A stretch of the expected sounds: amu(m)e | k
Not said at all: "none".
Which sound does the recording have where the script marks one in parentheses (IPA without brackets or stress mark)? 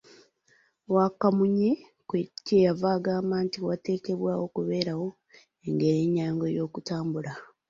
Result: ɲ